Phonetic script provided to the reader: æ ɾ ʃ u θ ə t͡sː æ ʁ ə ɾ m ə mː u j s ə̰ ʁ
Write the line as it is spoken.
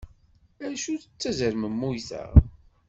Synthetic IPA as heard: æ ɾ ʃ u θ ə t͡sː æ z ə ɾ m ə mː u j θ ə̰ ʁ